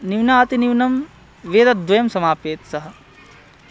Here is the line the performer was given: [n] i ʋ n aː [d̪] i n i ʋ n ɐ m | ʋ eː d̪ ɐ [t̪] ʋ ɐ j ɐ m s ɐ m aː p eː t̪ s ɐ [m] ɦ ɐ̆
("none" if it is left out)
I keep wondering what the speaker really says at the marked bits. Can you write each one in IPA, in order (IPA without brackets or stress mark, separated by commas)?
n, t̪, d̪, none